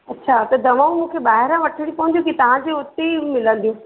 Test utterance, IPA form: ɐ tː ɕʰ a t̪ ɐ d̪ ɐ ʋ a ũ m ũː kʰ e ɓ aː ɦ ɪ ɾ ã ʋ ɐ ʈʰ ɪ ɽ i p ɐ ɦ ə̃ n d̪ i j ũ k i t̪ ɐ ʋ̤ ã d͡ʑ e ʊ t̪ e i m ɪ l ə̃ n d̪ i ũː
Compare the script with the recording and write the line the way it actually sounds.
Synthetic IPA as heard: ɐ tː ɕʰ a t̪ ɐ d̪ ɐ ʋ a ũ m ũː kʰ e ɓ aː ɦ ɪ ɾ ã ʋ ɐ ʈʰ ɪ ɽ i p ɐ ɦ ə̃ n d̪ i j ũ k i t̪ ɐ ʋ̤ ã d͡ʑ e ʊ t̪ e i m ɪ l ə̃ n d̪ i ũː